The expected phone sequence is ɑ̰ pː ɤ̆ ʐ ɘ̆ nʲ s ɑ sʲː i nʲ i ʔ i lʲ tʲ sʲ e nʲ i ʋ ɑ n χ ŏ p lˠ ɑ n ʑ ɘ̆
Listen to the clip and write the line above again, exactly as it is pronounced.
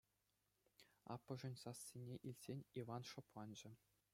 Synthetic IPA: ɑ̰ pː ɤ̆ ʐ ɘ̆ nʲ s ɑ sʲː i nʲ e ʔ i lʲ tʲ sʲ e nʲ i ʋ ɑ n ʂ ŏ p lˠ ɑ n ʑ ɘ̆